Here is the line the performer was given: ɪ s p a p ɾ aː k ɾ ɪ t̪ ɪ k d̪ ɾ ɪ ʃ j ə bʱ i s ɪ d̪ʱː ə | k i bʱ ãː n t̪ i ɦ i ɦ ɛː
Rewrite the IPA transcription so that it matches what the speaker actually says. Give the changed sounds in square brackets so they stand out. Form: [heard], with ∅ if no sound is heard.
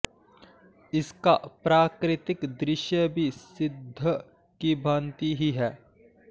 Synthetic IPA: ɪ s [k] a p ɾ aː k ɾ ɪ t̪ ɪ k d̪ ɾ ɪ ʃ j ə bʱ i s ɪ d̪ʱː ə | k i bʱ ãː n t̪ i ɦ i ɦ ɛː